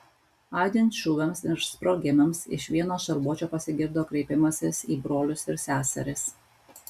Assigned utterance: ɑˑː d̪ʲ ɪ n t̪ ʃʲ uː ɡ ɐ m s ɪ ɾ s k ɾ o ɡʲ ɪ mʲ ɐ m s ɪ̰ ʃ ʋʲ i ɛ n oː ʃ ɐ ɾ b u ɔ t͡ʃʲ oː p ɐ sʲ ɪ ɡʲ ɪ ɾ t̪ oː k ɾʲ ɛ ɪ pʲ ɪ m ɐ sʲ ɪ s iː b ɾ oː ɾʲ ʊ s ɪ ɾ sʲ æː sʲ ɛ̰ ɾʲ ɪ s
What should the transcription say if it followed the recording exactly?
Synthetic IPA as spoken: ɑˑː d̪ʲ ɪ n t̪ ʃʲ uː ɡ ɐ m s ɪ ɾ s p ɾ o ɡʲ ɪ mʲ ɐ m s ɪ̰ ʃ ʋʲ i ɛ n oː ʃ ɐ ɾ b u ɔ t͡ʃʲ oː p ɐ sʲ ɪ ɡʲ ɪ ɾ d̪ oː k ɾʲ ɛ ɪ pʲ ɪ m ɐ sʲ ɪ s iː b ɾ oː lʲ ʊ s ɪ ɾ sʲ æː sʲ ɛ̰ ɾʲ ɪ s